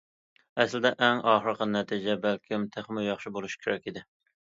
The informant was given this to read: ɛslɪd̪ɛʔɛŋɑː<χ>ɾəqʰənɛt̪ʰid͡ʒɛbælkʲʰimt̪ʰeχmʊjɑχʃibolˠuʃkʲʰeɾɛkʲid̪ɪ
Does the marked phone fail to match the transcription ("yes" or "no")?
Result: no